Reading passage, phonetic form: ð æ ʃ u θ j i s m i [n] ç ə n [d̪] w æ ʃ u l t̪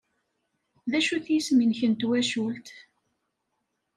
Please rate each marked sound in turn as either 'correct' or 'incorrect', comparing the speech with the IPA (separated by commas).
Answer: correct, incorrect